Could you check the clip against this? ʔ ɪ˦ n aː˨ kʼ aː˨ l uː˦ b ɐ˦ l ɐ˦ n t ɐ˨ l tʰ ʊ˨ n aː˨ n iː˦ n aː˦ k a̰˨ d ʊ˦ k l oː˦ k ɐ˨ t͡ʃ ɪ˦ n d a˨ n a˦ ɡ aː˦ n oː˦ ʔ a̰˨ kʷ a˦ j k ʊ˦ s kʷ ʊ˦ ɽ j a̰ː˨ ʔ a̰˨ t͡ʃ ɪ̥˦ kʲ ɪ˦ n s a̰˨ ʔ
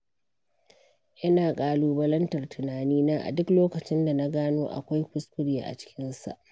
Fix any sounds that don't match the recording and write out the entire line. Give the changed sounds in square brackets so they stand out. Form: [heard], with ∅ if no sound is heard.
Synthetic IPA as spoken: ʔ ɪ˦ n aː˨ kʼ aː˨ l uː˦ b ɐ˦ l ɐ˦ n t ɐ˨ [r] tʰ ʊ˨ n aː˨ n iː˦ n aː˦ [ʔ] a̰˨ d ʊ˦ k l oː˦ k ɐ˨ t͡ʃ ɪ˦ n d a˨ n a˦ ɡ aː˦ n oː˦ ʔ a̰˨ kʷ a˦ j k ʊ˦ s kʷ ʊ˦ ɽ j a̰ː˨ ʔ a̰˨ t͡ʃ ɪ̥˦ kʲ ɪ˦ n s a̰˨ ʔ